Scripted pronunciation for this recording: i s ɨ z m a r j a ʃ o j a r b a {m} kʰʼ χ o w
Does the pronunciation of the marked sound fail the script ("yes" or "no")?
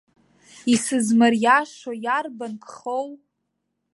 yes